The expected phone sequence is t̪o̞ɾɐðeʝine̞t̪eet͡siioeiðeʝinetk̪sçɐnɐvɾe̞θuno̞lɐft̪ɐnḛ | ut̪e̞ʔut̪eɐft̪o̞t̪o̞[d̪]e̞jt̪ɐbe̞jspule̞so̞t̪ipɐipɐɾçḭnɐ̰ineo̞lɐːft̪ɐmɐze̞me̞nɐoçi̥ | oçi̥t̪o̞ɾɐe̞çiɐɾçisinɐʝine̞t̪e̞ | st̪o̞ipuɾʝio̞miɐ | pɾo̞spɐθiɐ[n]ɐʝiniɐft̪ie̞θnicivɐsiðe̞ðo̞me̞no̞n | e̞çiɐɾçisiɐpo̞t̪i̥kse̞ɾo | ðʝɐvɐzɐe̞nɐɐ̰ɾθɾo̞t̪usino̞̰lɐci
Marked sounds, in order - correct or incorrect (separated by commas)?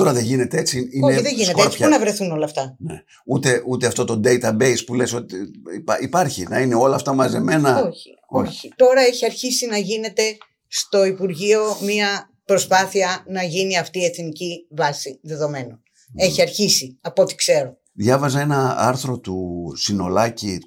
correct, correct